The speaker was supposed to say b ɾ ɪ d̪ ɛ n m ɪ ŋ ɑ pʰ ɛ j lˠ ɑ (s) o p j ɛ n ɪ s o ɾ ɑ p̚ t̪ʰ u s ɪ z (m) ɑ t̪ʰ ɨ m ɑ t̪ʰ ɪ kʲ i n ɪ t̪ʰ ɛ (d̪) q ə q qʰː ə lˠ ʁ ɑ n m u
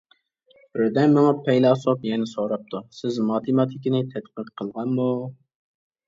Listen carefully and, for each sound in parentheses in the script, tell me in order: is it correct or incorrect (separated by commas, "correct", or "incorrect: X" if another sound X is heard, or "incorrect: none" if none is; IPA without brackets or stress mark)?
correct, correct, incorrect: t̪